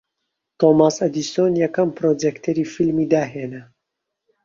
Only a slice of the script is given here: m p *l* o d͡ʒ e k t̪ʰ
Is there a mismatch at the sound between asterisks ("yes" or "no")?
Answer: yes